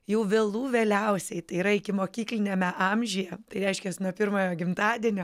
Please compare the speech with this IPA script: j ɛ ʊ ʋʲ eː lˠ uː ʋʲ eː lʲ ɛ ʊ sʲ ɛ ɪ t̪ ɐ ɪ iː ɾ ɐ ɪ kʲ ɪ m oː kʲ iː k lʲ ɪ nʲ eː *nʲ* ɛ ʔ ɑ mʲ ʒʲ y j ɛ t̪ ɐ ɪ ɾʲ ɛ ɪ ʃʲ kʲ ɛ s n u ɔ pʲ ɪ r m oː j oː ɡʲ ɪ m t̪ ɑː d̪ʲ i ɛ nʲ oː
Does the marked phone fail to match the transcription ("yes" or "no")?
yes